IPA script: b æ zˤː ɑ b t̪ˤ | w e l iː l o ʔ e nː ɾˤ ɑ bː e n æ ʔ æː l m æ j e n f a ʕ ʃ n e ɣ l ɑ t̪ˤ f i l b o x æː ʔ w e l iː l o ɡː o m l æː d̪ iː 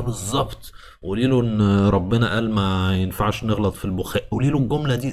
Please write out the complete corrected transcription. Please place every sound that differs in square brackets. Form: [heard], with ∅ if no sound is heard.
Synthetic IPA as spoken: b [e] zˤː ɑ b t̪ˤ | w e l iː l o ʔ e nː ɾˤ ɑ bː e n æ ʔ æː l m æ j e n f a ʕ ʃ n e ɣ l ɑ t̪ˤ f i l b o x æː ʔ w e l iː l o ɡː o m l [æ] d̪ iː